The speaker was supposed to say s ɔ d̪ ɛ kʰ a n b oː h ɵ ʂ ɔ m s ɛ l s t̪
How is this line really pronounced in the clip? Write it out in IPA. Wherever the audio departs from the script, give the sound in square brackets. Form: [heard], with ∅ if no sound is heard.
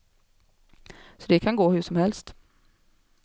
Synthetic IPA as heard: s ɔ d̪ ɛ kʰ a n [ɡ] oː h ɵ ʂ ɔ m [h] ɛ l s t̪